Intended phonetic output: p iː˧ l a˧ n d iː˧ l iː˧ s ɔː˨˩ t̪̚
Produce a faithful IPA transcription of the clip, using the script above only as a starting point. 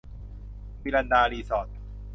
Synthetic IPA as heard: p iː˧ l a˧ n d aː˧ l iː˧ s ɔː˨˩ t̪̚